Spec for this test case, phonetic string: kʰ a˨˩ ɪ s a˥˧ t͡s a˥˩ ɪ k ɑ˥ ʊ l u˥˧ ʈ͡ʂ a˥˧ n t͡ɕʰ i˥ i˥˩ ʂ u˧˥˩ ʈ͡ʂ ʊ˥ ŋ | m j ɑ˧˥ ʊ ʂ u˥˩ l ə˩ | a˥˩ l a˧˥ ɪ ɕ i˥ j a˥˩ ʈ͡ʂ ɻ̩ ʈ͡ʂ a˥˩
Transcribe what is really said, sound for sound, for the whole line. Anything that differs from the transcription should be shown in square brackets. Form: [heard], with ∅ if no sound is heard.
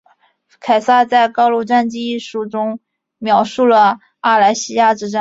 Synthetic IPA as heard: kʰ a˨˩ ɪ s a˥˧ t͡s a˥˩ ɪ k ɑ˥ ʊ l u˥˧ ʈ͡ʂ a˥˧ n [t͡ɕ] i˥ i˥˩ ʂ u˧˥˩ ʈ͡ʂ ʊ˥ ŋ | m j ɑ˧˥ ʊ ʂ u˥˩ l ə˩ | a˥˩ l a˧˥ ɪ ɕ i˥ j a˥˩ ʈ͡ʂ ɻ̩ ʈ͡ʂ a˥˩